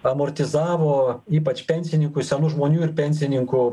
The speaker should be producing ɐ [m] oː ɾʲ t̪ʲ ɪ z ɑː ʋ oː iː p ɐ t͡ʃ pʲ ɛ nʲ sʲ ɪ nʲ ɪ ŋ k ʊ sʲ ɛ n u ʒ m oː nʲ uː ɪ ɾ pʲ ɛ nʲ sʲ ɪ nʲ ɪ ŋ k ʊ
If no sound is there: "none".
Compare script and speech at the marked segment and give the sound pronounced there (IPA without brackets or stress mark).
m